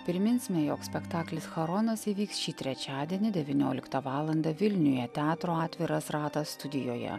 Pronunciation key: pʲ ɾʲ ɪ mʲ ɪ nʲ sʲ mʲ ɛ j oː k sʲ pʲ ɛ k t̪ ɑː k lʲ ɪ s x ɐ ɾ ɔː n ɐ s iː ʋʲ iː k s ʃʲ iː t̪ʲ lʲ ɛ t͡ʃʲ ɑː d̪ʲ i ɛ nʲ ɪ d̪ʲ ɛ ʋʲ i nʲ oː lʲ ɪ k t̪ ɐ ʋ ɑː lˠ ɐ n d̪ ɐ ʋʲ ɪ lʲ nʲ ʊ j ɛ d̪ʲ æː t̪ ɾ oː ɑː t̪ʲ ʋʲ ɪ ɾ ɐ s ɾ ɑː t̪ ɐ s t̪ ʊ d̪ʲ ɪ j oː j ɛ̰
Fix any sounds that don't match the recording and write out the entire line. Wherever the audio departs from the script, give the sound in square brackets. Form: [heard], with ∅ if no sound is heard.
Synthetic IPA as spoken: pʲ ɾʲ ɪ mʲ ɪ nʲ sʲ mʲ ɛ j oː k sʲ pʲ ɛ k t̪ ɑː k lʲ ɪ s x ɐ ɾ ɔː n ɐ s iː ʋʲ iː k s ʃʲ iː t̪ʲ [ɾʲ] ɛ t͡ʃʲ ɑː d̪ʲ i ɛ nʲ ɪ d̪ʲ ɛ ʋʲ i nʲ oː lʲ ɪ k t̪ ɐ ʋ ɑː lˠ ɐ n d̪ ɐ ʋʲ ɪ lʲ nʲ ʊ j ɛ [t̪ʲ] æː t̪ ɾ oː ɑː t̪ʲ ʋʲ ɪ ɾ ɐ s ɾ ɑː t̪ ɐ s t̪ ʊ d̪ʲ ɪ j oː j ɛ̰